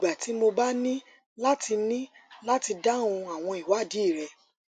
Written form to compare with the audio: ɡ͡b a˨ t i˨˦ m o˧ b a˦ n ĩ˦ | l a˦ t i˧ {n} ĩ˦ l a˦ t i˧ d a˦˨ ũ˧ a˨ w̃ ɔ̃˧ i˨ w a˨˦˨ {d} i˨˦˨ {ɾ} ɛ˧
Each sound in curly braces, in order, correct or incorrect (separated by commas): correct, correct, correct